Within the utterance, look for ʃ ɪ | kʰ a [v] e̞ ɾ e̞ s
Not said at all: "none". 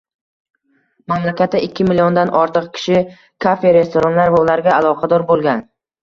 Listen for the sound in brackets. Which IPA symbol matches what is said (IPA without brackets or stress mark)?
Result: f